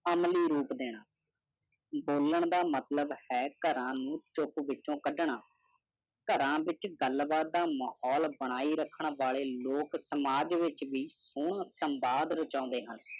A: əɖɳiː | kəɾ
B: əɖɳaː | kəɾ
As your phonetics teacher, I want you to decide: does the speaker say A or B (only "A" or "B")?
B